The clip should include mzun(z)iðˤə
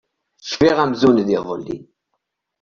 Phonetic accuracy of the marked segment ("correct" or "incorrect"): incorrect